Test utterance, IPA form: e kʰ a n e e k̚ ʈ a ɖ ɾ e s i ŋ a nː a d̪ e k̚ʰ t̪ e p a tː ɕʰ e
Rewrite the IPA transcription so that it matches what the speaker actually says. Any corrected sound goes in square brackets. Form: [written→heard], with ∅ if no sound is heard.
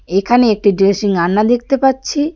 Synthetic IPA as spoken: e kʰ a n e e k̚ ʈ [a→i] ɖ ɾ e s i ŋ a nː a d̪ e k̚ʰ t̪ e p a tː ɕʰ [e→i]